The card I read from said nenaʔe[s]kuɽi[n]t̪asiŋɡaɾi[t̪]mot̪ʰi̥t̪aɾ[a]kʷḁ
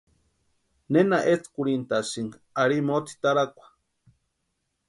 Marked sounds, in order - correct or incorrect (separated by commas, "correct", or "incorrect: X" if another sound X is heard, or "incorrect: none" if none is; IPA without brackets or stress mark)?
incorrect: t͡s, correct, incorrect: none, correct